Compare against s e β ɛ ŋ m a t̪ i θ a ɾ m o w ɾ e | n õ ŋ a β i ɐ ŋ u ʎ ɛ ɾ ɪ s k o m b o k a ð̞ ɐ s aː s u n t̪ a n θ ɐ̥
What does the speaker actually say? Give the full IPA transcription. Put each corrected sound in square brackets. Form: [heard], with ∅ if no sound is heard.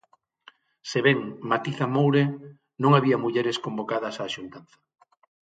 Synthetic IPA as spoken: s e β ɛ ŋ m a t̪ i θ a [∅] m o w ɾ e | n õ ŋ a β i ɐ [m] u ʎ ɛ ɾ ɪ s k o m b o k a ð̞ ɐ s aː [ʃ] u n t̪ a n θ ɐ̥